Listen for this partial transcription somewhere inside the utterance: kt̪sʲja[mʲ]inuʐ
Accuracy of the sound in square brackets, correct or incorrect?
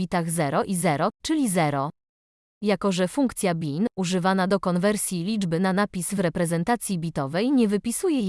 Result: incorrect